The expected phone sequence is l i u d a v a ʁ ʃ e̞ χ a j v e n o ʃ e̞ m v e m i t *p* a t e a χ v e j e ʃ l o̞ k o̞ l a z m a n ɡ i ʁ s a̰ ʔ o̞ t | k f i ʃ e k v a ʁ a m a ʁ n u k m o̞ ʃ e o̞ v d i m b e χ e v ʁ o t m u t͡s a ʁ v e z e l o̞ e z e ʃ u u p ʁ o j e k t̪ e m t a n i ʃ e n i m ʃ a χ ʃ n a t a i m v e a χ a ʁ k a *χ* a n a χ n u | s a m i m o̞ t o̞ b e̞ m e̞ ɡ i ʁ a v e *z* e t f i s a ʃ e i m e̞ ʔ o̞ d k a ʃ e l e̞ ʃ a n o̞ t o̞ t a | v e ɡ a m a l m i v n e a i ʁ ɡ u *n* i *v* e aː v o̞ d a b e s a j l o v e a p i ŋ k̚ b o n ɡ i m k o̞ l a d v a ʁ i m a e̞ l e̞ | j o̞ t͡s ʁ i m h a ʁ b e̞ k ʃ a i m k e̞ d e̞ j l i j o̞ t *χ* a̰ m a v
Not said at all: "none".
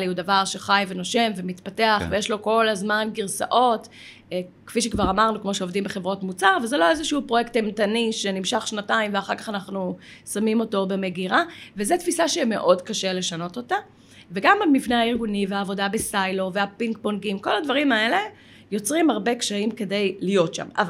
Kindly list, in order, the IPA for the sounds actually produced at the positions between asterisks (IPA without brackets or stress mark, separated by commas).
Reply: p, χ, z, n, v, ʃ